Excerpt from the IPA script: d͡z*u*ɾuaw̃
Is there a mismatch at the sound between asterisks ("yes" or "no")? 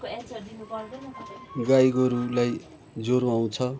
yes